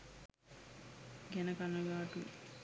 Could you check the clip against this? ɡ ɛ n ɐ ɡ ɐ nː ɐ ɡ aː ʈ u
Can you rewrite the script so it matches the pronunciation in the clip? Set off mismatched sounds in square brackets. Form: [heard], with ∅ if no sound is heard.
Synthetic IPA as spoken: ɡ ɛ n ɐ [k] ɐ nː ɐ ɡ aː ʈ u